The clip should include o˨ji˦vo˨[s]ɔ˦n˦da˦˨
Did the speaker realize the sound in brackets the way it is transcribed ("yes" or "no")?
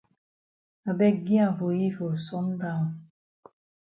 yes